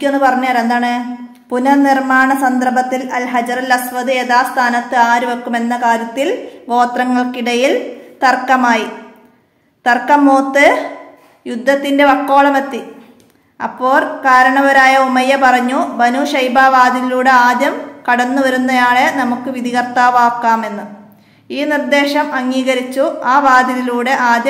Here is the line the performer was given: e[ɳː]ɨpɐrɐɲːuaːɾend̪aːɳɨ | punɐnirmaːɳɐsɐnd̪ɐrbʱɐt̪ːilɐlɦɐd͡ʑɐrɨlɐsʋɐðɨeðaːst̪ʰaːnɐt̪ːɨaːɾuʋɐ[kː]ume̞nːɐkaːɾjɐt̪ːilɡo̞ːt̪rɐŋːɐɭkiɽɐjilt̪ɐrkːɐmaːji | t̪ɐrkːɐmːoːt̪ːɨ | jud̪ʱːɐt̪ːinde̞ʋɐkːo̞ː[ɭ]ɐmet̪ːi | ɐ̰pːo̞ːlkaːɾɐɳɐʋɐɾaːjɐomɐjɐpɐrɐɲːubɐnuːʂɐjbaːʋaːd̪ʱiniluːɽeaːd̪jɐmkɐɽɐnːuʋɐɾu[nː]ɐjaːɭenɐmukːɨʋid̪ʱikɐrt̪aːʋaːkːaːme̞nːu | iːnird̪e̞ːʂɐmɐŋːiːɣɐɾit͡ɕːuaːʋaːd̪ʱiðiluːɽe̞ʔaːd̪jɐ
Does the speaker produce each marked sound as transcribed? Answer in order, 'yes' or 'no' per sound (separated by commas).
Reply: no, yes, yes, yes